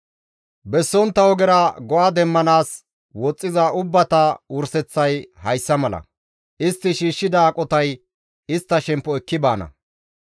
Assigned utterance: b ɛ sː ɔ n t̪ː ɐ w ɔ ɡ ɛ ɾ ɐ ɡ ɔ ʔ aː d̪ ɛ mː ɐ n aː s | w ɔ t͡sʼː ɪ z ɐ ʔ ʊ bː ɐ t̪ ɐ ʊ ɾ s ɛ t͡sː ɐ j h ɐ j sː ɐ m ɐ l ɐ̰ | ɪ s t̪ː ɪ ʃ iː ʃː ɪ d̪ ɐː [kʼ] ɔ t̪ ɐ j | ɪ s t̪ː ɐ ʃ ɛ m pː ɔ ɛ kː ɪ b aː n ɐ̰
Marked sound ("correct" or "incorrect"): correct